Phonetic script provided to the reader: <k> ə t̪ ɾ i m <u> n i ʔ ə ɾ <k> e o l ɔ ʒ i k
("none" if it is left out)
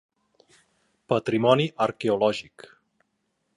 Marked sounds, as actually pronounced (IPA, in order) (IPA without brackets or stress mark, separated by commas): p, ɔ, k